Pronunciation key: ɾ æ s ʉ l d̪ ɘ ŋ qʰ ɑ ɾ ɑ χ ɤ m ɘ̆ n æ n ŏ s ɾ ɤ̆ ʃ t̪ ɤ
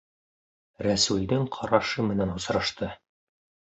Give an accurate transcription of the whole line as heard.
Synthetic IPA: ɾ æ s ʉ l d̪ ɘ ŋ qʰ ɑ ɾ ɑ ʃ ɤ m ɘ̆ n æ n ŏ s ɾ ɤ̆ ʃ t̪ ɤ